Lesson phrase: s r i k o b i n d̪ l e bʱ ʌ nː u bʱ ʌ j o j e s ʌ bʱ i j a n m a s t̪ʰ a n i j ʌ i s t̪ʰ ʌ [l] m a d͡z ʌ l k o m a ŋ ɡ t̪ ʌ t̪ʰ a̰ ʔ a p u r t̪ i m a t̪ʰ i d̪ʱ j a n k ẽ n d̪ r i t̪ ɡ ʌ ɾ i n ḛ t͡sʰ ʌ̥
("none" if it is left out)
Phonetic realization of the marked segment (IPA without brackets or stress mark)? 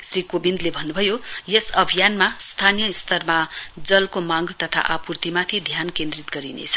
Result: r